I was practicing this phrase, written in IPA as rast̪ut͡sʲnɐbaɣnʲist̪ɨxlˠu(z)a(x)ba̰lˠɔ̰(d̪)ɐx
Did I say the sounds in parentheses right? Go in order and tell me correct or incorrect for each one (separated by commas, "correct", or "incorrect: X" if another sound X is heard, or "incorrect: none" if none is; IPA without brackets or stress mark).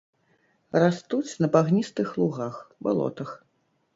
incorrect: ɣ, correct, incorrect: t̪